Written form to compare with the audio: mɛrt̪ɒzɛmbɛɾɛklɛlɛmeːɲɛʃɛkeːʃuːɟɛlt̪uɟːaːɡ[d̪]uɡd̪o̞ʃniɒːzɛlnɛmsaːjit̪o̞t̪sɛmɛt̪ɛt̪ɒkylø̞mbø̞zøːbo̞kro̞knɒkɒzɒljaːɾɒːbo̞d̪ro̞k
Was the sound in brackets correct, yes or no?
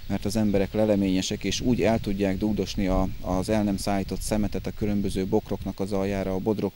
yes